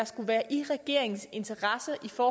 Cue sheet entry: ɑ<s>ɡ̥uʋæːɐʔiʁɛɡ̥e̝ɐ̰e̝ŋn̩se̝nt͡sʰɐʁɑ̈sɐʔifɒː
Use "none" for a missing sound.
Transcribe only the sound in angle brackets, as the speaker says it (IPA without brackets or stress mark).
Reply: s